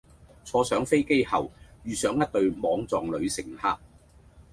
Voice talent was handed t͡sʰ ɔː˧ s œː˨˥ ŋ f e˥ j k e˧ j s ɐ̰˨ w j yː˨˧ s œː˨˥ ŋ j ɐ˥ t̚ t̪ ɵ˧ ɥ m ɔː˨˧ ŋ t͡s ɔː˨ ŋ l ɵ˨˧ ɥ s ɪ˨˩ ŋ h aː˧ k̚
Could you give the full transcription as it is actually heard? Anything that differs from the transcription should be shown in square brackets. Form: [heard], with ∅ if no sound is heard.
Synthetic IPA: t͡sʰ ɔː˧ s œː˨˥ ŋ f e˥ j k [e˥] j [h] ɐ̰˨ w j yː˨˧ s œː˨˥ ŋ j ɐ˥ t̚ t̪ ɵ˧ ɥ m ɔː˨˧ ŋ t͡s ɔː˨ ŋ l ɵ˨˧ ɥ s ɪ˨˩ ŋ h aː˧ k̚